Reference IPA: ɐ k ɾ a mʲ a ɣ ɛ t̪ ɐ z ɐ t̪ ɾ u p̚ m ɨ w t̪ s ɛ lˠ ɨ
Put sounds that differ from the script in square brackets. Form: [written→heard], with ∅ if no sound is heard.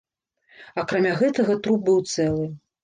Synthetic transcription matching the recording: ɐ k ɾ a mʲ a ɣ ɛ t̪ ɐ [z→ɣ] ɐ t̪ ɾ u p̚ [m→b] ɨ w t̪ s ɛ lˠ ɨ

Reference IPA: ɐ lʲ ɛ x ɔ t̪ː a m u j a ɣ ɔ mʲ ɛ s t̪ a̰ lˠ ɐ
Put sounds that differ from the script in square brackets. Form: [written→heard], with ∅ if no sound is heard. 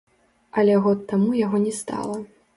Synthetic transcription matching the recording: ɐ lʲ ɛ [x→ɣ] ɔ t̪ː a m u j a ɣ ɔ [mʲ→nʲ] ɛ s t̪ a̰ lˠ ɐ

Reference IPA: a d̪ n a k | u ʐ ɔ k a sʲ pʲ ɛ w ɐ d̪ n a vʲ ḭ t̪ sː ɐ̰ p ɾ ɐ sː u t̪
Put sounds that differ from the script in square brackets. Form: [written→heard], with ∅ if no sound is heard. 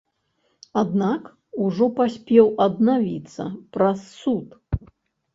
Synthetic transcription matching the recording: a d̪ n a k | u ʐ ɔ [k→p] a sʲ pʲ ɛ w ɐ d̪ n a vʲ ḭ t̪ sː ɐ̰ p ɾ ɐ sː u t̪

